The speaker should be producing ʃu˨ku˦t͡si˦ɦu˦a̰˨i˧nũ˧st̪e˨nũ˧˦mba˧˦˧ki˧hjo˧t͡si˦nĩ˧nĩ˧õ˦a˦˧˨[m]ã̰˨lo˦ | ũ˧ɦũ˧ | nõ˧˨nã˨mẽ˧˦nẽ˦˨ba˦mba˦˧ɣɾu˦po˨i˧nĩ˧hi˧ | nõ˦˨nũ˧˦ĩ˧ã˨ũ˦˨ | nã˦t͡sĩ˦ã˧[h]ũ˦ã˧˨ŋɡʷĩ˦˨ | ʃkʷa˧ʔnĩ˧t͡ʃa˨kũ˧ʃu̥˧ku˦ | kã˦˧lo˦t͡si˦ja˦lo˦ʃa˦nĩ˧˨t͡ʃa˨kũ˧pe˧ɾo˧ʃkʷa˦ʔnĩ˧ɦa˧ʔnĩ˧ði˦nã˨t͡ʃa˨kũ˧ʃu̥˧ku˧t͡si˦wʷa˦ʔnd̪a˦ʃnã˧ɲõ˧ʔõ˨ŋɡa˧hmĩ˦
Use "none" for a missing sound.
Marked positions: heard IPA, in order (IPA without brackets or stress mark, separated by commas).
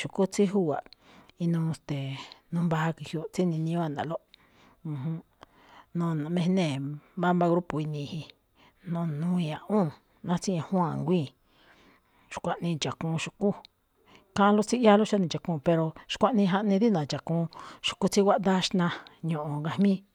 n, h